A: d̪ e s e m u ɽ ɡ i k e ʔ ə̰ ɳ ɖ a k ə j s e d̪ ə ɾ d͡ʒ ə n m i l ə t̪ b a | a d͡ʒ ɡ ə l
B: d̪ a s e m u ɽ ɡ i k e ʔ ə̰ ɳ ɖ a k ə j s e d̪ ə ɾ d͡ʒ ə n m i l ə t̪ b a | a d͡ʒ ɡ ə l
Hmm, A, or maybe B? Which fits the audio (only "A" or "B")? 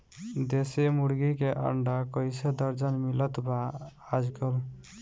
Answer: A